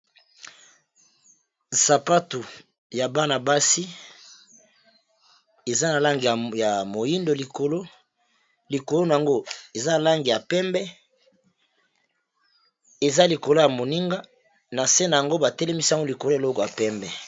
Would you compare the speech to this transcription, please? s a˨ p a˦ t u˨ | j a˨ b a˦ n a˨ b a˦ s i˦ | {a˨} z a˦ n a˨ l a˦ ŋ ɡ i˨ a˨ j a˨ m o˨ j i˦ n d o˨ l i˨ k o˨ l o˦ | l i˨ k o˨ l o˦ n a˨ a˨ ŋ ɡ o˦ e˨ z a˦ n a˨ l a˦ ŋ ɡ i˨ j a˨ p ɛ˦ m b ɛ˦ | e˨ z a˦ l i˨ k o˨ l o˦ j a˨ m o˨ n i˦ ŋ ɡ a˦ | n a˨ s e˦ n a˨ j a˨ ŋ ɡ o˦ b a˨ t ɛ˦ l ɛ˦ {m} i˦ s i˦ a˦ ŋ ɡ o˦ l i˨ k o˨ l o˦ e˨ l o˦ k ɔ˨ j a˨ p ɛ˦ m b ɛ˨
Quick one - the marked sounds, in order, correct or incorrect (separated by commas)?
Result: incorrect, correct